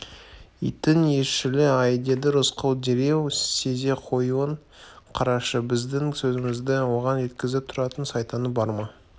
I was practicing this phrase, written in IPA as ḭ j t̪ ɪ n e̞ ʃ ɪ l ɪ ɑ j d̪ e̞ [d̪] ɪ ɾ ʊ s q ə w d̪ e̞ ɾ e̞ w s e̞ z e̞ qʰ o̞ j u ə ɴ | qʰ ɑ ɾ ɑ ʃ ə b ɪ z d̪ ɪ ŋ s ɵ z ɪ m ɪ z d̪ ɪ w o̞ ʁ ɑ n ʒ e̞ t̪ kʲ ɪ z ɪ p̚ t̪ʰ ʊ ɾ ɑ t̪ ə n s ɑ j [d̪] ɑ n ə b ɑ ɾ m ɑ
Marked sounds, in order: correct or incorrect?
correct, incorrect: t̪

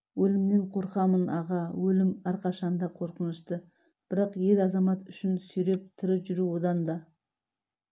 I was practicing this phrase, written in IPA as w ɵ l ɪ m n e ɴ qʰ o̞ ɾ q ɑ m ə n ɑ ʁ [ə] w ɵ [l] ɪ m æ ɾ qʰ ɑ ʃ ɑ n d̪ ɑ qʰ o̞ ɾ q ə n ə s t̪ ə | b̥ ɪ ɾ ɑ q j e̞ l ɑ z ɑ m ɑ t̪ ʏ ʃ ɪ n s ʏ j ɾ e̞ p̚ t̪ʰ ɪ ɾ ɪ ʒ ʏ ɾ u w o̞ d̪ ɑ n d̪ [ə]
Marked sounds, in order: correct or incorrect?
incorrect: ɑ, correct, incorrect: ɑ

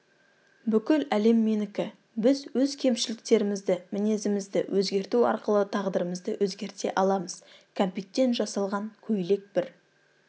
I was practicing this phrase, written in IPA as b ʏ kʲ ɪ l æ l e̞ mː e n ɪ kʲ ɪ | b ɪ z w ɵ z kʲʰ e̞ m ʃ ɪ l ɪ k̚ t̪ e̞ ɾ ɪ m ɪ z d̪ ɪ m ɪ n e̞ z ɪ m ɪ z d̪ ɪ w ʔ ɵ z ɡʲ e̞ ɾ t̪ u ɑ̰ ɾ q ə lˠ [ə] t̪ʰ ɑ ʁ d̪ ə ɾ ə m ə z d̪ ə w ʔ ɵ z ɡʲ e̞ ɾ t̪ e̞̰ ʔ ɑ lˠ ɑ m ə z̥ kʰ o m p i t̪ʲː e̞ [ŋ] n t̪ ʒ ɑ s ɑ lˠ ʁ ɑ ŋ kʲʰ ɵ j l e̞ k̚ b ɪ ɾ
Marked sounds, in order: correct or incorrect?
correct, incorrect: none

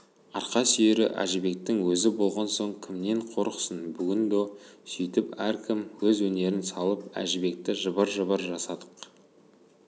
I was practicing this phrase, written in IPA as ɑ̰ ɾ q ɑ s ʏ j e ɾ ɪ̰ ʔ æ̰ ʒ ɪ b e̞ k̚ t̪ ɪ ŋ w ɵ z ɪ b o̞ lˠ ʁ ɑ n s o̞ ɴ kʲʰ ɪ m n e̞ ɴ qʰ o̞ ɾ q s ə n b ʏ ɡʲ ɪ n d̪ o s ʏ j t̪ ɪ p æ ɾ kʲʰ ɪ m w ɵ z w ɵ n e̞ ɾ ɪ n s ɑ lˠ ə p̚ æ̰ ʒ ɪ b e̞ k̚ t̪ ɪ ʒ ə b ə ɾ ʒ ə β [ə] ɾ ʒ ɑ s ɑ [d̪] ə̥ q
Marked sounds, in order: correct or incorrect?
correct, correct

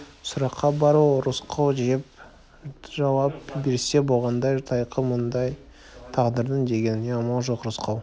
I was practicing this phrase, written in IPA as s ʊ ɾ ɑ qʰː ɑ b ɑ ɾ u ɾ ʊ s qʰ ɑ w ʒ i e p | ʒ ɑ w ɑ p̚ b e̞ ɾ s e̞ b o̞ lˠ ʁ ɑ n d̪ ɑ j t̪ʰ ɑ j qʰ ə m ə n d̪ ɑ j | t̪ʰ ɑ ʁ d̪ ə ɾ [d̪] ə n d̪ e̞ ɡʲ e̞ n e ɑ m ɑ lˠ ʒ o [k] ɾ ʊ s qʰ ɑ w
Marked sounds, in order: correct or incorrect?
correct, incorrect: q

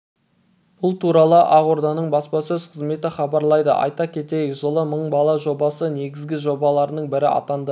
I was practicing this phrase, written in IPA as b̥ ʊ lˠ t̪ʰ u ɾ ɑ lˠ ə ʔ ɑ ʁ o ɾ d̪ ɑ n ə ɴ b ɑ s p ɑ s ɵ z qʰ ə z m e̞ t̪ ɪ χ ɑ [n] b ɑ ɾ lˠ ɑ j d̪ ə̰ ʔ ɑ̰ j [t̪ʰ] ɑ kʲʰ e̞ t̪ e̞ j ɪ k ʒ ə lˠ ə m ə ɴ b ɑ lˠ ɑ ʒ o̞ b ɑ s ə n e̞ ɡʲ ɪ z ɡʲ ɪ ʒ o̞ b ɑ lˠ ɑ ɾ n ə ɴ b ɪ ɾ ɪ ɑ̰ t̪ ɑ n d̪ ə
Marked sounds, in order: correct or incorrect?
incorrect: none, incorrect: t̪

